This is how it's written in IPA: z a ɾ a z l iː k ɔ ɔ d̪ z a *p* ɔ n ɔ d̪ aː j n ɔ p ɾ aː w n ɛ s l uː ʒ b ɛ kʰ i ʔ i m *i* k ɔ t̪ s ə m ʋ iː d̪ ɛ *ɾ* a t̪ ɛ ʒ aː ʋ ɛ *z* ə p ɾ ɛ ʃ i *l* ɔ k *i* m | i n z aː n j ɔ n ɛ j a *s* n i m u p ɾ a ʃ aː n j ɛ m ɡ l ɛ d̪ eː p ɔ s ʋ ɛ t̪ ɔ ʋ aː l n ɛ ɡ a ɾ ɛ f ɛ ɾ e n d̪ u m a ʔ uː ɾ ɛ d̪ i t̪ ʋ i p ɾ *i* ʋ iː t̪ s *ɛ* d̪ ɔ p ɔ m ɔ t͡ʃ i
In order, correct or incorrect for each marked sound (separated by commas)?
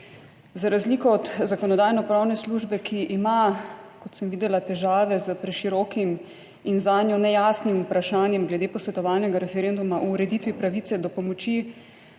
incorrect, incorrect, incorrect, correct, incorrect, correct, correct, incorrect, correct